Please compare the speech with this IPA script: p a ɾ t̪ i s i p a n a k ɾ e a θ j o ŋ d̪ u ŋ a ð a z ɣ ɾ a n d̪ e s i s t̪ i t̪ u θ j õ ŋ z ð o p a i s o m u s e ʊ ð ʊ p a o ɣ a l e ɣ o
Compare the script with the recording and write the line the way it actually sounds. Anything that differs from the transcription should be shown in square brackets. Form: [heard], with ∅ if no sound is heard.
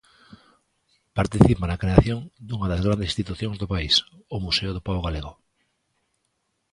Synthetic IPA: p a ɾ t̪ i [θ] i p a n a k ɾ e a θ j o ŋ d̪ u ŋ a ð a z ɣ ɾ a n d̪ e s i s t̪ i t̪ u θ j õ ŋ z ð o p a i s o m u s e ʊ ð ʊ p a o ɣ a l e ɣ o